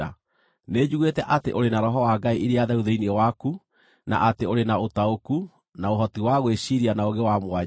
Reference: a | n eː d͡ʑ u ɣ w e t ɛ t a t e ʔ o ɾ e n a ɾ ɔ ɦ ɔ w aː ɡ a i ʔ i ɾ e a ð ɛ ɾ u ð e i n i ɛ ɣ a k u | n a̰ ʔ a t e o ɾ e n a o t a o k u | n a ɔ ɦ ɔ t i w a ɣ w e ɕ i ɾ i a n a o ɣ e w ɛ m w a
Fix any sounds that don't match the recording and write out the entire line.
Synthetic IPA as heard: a | n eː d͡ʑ u ɣ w e t ɛ ʔ a t e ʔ o ɾ e n a ɾ ɔ ɦ ɔ w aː ɡ a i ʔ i ɾ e a ð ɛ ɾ u ð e i n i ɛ w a k u | n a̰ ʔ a t e o ɾ e n a o t a o k u | n a o ɦ ɔ t i w a ɣ w e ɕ i ɾ i a n a o ɣ e w a m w a